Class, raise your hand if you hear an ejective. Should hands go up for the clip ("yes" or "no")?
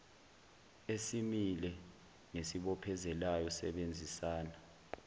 no